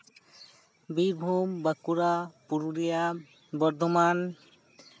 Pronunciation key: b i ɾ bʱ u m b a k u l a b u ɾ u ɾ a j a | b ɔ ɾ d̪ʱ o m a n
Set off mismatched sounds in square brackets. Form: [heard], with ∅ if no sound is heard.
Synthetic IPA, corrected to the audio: b i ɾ bʱ u m b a k u [ɾ] a [p] u ɾ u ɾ [i] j a | b ɔ ɾ d̪ʱ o m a n